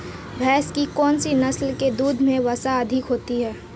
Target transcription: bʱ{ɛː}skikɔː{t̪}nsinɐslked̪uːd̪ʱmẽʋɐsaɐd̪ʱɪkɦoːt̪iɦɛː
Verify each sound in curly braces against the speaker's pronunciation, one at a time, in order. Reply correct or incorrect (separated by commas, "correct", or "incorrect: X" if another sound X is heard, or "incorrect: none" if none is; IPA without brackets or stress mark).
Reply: correct, incorrect: none